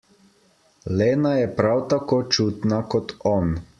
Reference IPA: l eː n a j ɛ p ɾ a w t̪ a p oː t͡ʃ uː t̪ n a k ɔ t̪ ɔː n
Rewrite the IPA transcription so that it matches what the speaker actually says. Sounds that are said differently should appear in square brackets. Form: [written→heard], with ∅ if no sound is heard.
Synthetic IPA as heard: l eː n a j ɛ p ɾ a w t̪ a [p→k] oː t͡ʃ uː t̪ n a k ɔ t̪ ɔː n